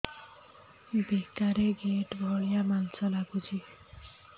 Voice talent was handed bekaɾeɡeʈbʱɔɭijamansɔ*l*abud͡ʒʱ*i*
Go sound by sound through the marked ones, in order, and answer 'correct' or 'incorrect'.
correct, correct

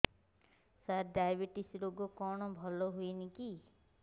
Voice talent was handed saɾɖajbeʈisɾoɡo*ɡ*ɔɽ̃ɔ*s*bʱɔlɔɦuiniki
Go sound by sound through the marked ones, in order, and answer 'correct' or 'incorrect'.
incorrect, incorrect

